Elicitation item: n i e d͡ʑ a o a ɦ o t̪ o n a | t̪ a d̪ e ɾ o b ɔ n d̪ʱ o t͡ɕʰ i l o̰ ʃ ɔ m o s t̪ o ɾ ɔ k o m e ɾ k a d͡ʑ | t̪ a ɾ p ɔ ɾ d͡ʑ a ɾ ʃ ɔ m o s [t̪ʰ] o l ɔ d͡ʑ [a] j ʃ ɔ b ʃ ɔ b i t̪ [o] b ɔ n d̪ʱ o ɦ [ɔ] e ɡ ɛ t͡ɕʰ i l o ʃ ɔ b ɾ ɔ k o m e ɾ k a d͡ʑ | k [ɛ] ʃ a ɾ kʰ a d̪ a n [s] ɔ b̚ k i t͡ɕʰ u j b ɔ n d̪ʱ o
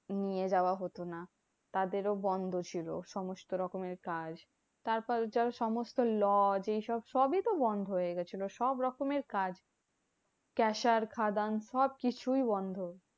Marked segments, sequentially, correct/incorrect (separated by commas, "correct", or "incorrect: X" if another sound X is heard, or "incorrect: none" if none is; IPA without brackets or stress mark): incorrect: t̪, incorrect: e, correct, incorrect: o, correct, incorrect: ʃ